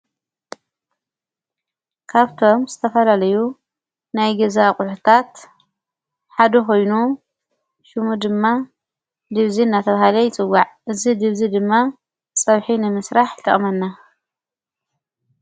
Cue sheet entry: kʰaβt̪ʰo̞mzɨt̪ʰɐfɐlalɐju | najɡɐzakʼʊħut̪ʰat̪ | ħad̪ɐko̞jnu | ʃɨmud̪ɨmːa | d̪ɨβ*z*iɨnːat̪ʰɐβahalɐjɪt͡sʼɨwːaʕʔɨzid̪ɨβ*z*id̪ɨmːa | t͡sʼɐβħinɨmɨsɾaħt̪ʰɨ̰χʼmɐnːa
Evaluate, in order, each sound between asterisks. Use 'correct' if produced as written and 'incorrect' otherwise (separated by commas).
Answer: correct, correct